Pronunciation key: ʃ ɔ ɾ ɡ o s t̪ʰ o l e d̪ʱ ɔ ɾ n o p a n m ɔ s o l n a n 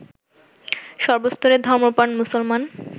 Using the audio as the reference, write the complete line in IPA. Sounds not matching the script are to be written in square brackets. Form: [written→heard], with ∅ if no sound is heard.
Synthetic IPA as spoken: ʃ ɔ ɾ [ɡ→b] o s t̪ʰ o [l→ɾ] e d̪ʱ ɔ ɾ [n→m] o p a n m [ɔ→u] s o l [n→m] a n